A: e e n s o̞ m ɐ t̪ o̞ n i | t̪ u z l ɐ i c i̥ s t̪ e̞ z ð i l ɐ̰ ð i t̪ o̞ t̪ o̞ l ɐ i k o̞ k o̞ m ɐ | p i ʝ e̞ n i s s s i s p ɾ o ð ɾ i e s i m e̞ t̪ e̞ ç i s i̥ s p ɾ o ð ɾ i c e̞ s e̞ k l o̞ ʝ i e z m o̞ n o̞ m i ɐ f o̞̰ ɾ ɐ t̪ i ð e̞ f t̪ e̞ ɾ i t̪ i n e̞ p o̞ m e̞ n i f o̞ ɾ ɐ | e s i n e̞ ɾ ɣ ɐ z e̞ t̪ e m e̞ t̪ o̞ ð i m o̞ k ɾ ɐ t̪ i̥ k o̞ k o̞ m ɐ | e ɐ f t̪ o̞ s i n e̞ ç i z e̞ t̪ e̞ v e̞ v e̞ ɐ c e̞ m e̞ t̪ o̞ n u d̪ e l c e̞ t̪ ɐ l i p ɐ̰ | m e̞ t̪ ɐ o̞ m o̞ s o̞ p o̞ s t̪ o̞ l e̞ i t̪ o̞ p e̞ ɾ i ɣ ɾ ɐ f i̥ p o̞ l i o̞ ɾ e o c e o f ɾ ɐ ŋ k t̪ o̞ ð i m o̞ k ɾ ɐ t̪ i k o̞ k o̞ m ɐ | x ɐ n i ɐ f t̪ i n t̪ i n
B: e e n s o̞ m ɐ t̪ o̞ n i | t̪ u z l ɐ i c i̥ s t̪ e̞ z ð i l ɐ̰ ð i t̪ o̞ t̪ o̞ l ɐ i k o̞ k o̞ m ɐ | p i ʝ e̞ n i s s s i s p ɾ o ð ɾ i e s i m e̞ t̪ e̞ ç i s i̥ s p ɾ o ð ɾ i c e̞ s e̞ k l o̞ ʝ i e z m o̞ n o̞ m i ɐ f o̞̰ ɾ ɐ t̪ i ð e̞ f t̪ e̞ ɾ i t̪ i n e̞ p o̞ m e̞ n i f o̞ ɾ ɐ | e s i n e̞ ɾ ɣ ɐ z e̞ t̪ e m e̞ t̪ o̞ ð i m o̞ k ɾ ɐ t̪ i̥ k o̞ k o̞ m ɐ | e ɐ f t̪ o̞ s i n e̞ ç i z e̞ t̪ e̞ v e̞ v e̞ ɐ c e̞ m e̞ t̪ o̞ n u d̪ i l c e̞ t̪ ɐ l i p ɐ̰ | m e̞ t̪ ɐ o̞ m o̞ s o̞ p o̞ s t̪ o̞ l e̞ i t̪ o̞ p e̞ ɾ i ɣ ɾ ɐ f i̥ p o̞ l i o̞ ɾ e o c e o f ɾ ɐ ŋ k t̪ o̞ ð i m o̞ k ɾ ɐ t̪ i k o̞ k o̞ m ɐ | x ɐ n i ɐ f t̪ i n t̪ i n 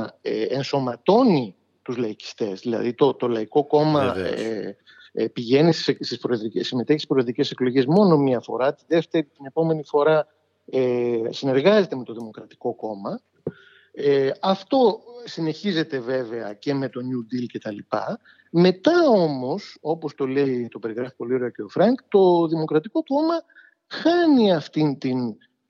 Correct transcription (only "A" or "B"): B